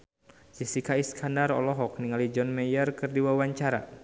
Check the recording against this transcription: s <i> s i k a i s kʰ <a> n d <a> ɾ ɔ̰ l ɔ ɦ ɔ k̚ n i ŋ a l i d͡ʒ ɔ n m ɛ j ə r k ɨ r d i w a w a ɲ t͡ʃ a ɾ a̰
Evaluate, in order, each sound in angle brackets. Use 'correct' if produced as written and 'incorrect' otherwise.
correct, correct, correct

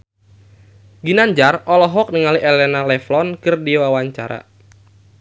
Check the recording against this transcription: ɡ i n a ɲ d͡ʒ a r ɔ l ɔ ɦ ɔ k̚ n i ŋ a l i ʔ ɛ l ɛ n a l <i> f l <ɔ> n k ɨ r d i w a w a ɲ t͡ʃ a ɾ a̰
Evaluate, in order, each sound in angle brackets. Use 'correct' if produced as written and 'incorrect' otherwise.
incorrect: ɛ, correct

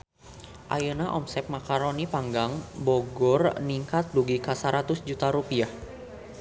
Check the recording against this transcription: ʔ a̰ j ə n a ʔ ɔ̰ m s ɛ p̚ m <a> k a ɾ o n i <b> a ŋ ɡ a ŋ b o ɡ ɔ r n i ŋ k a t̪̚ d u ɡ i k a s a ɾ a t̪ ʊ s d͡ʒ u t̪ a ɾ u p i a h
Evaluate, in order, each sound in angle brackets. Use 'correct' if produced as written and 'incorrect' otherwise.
correct, incorrect: p

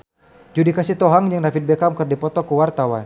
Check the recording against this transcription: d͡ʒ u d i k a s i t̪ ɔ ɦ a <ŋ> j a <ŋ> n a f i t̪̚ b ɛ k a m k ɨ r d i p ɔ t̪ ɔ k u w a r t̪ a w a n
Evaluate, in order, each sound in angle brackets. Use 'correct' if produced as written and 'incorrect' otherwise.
correct, correct

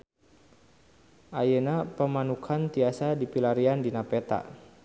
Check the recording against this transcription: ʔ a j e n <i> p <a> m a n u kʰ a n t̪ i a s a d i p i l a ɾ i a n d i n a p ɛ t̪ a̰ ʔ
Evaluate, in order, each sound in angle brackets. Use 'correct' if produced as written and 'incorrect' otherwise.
incorrect: a, incorrect: ə

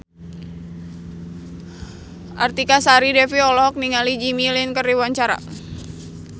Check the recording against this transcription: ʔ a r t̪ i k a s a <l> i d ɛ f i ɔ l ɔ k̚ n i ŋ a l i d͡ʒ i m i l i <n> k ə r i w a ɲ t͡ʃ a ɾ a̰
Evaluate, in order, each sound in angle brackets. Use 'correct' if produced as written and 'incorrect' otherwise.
incorrect: ɾ, correct

